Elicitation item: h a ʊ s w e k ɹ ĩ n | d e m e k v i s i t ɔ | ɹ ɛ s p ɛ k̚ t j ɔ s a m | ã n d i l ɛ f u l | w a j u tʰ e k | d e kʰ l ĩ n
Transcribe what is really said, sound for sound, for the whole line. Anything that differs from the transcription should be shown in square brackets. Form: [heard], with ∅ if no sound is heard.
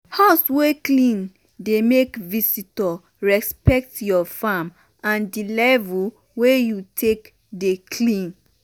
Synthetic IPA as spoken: h a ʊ s w e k [l] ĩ n | d e m e k v i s i t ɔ | ɹ ɛ s p ɛ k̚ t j ɔ [f] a m | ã n d i l ɛ [v] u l | w [e] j u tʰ e k | d e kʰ l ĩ n

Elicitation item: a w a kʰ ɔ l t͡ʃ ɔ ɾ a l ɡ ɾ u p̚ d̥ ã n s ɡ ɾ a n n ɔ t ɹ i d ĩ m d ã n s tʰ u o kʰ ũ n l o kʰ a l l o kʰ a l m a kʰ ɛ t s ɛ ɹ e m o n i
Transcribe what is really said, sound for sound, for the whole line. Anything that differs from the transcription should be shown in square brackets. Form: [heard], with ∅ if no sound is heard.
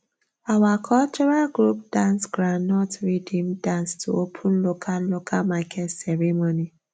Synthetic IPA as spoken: a w a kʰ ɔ l t͡ʃ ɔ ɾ a l ɡ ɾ u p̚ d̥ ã n s ɡ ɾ a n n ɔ t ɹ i d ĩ m d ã n s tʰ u o [pʰ] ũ n l o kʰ a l l o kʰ a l m a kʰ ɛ t s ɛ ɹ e m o n i

